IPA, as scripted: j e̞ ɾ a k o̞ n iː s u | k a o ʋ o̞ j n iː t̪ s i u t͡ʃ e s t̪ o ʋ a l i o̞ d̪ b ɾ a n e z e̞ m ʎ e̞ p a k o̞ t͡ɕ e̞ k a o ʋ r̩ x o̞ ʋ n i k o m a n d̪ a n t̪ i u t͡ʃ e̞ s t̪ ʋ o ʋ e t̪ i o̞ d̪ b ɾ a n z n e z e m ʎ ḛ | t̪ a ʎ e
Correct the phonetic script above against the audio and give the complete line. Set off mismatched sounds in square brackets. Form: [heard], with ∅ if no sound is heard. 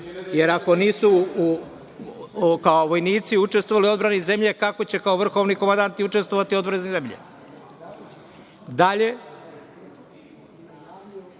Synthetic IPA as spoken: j e̞ ɾ a k o̞ n iː s u | k a o ʋ o̞ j n iː t̪ s i u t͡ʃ e s t̪ o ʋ a l i o̞ d̪ b ɾ a n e z e̞ m ʎ e̞ [k] a k o̞ t͡ɕ e̞ k a o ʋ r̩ x o̞ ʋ n i k o m a n d̪ a n t̪ i u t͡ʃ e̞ s t̪ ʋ o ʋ [a] t̪ i o̞ d̪ b ɾ a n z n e z e m ʎ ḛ | [d̪] a ʎ e